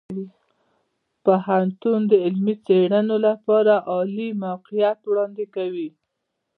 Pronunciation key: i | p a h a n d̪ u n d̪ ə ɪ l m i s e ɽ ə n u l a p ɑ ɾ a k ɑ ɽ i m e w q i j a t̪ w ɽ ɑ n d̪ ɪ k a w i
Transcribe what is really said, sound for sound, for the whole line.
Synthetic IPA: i | p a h a n t̪ u n d̪ ə ɪ l m i t͡s e ɽ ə n o l a p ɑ ɾ a ʔ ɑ l i m a w q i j a t̪ w ɽ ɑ n d̪ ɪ k a w i